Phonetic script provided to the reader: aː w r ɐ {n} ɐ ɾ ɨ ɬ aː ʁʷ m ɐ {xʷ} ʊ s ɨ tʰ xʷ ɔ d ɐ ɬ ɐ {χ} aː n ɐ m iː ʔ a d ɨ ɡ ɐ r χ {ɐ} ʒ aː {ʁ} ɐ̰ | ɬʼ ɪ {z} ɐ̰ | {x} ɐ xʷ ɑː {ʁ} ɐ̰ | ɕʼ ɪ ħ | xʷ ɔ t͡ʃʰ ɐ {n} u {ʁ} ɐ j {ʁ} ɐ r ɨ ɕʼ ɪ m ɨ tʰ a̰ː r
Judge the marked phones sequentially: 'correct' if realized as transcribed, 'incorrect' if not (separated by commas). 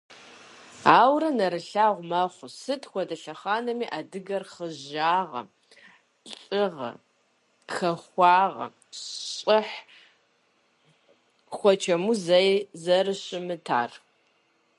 correct, incorrect, correct, incorrect, correct, incorrect, correct, correct, incorrect, incorrect, incorrect